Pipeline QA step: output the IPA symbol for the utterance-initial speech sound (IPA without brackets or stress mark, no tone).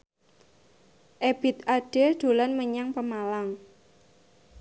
ʔ